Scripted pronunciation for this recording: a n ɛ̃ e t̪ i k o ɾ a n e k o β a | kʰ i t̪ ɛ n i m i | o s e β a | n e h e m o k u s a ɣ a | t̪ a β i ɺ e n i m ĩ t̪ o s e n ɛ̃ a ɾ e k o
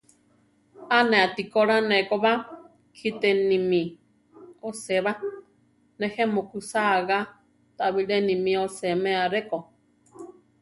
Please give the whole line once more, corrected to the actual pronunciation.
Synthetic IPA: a n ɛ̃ a t̪ i k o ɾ a n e k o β a | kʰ i t̪ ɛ n i m i | o s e β a | n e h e m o k u s a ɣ a | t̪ a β i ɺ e n i m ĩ o s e m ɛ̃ a ɾ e k o